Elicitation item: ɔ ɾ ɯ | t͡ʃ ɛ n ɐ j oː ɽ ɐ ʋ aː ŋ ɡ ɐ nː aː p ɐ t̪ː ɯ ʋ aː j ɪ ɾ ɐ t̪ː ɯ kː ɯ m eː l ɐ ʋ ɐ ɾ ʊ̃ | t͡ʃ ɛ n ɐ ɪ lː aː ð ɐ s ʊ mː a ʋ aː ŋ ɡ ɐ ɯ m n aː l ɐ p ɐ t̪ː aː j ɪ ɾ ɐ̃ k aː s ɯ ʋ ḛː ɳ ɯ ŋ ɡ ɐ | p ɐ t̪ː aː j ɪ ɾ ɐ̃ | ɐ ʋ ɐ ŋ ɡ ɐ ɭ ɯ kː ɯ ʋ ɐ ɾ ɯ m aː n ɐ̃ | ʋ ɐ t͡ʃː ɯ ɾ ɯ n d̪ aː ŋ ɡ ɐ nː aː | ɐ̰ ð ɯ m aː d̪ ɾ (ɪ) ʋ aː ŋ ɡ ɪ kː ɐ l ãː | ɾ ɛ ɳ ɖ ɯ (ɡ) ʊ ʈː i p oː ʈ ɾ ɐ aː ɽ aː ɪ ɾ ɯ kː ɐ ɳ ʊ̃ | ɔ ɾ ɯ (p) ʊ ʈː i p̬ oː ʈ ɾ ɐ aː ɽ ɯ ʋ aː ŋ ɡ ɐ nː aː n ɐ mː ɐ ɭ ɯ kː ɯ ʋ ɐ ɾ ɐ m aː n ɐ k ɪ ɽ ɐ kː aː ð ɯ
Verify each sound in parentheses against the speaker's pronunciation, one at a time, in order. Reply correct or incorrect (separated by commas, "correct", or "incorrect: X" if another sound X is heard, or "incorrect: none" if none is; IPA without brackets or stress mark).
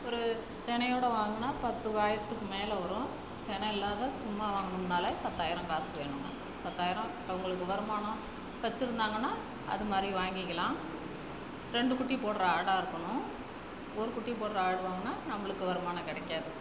incorrect: i, incorrect: k, incorrect: k